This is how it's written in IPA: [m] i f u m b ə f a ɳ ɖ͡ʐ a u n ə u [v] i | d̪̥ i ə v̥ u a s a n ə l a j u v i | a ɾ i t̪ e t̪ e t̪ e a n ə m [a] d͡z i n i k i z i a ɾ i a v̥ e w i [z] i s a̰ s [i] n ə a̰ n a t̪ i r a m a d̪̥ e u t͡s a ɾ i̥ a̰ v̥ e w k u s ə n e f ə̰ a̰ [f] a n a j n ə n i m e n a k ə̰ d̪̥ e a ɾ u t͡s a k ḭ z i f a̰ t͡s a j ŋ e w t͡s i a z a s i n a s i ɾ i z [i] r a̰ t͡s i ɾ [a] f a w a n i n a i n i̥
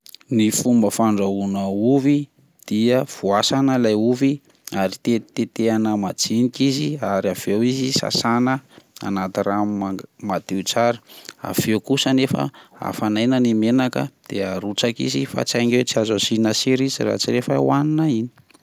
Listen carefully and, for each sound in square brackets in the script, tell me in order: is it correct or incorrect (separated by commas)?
incorrect, correct, correct, correct, incorrect, correct, correct, incorrect